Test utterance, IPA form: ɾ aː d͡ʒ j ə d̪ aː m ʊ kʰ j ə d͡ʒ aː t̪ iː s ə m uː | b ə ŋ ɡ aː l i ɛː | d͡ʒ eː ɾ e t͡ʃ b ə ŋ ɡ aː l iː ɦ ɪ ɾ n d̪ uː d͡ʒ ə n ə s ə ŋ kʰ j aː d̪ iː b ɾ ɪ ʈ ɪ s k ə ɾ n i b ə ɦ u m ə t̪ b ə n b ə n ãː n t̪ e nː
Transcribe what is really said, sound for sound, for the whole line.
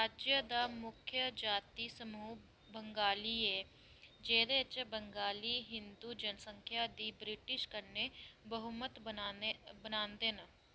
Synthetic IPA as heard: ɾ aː d͡ʒ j ə d̪ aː m ʊ kʰ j ə d͡ʒ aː t̪ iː s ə m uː | b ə ŋ ɡ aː l i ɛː | d͡ʒ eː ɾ e t͡ʃ b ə ŋ ɡ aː l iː ɦ ɪ n d̪ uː d͡ʒ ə n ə s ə ŋ kʰ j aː d̪ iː b ɾ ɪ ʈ ɪ ʃ k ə ɾ n e b ə ɦ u m ə t̪ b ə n b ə n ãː n d̪ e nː